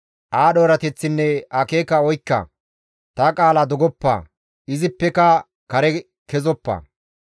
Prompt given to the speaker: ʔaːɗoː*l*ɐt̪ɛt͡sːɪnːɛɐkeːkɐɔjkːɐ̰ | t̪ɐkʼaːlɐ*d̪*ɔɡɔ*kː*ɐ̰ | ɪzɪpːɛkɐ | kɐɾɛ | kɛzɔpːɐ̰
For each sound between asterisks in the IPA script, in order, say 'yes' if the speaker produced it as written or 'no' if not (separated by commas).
no, yes, no